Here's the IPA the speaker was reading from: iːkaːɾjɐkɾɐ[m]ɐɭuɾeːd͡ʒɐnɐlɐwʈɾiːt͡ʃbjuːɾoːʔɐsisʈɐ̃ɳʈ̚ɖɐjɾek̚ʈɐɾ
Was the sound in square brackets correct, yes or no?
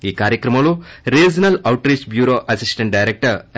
yes